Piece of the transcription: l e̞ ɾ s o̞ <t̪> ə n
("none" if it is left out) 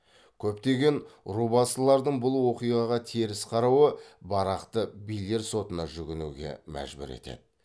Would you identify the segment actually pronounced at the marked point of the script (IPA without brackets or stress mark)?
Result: t̪